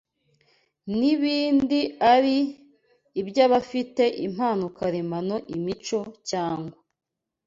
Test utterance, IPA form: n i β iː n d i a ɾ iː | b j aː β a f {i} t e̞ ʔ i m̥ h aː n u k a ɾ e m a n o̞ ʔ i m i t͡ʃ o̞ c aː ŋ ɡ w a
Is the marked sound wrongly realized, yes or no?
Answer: no